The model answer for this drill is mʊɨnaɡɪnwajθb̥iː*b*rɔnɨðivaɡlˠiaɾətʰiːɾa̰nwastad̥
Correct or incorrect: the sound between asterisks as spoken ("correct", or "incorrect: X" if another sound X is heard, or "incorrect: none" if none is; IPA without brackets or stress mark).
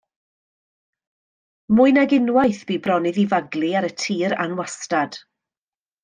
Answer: correct